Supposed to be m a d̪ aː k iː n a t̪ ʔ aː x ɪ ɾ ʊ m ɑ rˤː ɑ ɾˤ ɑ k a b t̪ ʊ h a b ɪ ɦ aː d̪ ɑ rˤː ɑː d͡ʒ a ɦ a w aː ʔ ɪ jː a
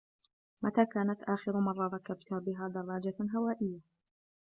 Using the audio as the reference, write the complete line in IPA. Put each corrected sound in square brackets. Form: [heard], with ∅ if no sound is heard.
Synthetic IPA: m a [t̪] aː k [aː] n a t̪ ʔ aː x ɪ ɾ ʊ m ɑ rˤː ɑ ɾˤ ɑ k a b t̪ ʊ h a b ɪ ɦ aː d̪ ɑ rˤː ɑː d͡ʒ a ɦ a w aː ʔ ɪ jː a